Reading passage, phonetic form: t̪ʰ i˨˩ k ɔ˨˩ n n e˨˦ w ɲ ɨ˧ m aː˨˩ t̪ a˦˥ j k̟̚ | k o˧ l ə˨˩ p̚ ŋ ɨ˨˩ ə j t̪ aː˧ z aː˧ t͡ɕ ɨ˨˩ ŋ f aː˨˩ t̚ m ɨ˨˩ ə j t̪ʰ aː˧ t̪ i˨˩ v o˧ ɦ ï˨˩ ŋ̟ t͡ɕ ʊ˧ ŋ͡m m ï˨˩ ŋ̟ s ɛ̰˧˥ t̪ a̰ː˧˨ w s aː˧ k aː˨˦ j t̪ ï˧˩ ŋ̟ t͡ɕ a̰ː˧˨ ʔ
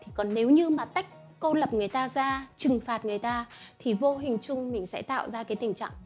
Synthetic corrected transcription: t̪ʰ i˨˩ k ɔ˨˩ n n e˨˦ w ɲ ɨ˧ m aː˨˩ t̪ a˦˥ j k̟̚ | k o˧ l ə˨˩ p̚ ŋ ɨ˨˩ ə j t̪ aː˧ z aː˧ t͡ɕ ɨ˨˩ ŋ f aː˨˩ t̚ ŋ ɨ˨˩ ə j t̪ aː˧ t̪ʰ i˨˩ v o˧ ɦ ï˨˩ ŋ̟ t͡ɕ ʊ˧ ŋ͡m m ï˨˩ ŋ̟ s ɛ̰˧˥ t̪ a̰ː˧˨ w z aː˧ k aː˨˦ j t̪ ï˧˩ ŋ̟ t͡ɕ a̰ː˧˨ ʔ